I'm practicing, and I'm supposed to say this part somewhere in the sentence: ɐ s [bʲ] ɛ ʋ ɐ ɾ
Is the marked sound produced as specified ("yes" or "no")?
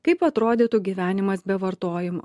yes